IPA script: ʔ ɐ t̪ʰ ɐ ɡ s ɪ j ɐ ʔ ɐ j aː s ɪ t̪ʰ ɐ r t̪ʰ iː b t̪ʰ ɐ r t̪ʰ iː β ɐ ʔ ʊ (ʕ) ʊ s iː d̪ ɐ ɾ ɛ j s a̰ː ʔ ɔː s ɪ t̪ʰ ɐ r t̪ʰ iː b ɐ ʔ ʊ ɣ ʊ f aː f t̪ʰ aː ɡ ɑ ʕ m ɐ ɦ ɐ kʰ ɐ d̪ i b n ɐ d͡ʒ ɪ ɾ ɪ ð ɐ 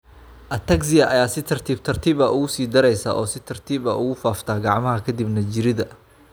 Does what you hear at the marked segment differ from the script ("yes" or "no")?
yes